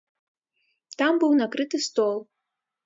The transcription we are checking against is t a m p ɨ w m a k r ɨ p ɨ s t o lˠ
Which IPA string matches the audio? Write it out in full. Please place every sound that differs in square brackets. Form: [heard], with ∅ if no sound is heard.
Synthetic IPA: t a m [b] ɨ w [n] a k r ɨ [t] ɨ s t o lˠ